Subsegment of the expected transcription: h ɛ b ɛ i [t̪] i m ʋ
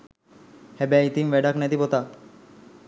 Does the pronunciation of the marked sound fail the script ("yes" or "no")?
no